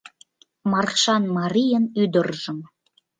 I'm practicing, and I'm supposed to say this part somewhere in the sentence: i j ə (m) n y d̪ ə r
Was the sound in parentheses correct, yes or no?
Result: no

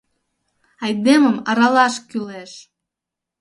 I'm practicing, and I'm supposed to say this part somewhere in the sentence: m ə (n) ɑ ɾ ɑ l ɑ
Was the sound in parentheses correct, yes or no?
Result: no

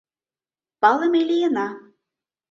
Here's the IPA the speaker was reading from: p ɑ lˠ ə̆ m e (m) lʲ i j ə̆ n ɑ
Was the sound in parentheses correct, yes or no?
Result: no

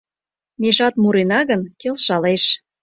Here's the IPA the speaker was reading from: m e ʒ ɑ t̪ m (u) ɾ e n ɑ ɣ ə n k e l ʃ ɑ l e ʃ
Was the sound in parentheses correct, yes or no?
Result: yes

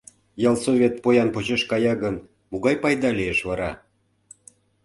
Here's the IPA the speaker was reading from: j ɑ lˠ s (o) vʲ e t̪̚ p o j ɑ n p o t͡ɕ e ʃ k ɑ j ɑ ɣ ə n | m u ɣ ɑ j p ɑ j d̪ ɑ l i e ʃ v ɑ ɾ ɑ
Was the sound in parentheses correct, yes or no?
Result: yes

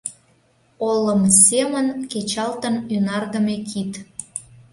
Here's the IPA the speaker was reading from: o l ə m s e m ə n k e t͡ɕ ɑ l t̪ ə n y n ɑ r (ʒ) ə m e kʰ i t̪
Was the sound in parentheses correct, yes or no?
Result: no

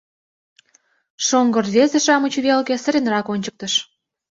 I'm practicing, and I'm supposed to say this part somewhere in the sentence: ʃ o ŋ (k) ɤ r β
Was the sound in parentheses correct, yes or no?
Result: no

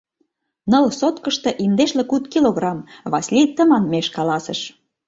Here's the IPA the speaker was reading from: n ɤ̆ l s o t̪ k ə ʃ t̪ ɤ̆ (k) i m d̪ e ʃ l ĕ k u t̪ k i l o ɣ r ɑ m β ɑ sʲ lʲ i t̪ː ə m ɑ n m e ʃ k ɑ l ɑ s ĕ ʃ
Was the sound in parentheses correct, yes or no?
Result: no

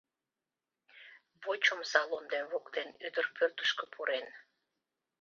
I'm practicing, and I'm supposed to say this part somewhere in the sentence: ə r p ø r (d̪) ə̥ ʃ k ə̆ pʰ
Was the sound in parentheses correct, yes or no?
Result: no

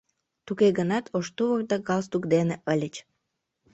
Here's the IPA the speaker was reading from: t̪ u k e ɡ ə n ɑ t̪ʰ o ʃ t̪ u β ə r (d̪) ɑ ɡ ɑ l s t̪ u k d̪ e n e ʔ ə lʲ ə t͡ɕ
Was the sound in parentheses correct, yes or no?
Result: yes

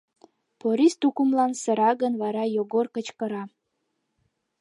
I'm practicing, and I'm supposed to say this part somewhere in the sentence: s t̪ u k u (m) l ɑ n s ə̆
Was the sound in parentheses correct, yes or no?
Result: yes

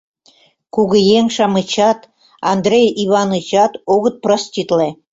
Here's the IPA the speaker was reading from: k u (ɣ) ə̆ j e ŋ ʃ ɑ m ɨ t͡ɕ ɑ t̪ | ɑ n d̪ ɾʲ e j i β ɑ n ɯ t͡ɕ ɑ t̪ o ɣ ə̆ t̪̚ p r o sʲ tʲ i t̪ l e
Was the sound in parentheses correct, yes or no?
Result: yes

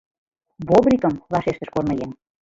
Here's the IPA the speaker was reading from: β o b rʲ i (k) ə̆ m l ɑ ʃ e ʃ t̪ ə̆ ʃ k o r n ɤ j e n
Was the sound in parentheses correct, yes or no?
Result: yes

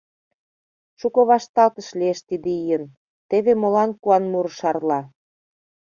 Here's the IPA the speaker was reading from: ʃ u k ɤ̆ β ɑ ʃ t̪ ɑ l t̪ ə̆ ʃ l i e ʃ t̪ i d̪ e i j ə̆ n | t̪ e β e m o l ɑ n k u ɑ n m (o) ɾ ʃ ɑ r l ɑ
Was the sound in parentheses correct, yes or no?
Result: no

